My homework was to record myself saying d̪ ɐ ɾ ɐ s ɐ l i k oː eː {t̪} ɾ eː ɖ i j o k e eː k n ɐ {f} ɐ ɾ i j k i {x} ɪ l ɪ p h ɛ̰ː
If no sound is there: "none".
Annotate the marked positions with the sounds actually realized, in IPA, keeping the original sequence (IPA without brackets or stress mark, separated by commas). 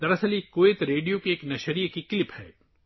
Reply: t̪, ʃ, k